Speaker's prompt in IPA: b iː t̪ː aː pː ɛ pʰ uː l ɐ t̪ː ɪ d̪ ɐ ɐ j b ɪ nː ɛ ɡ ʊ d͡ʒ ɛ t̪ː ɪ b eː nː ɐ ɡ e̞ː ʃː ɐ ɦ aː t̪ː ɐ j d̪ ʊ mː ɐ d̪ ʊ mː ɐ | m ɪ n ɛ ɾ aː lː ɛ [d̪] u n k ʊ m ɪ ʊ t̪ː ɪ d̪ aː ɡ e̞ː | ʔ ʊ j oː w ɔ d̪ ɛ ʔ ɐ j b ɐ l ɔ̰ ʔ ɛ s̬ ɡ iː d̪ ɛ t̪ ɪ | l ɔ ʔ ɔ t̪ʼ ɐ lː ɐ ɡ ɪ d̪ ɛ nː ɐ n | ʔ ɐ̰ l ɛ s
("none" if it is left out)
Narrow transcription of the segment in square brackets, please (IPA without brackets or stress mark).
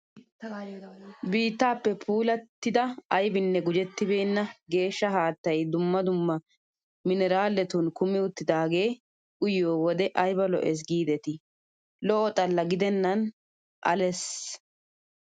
t̪